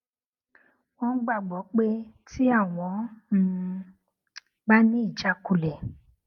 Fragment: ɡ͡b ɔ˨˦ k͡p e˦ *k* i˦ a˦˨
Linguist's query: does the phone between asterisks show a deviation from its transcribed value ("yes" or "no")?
yes